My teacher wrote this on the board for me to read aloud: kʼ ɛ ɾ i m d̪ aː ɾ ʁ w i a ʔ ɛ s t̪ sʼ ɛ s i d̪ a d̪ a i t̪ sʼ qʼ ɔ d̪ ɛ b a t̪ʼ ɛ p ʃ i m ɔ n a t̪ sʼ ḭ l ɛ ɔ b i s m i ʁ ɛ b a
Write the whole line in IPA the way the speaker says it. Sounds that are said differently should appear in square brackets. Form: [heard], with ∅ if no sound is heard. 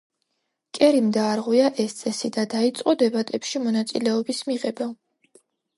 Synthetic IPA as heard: kʼ ɛ ɾ i m d̪ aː ɾ ʁ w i a ʔ ɛ s t̪ sʼ ɛ s i d̪ a d̪ a i t̪ sʼ qʼ ɔ d̪ ɛ b a t̪ʼ ɛ p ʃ i m ɔ n a t̪ sʼ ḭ l ɛ ɔ b i s m i ʁ ɛ b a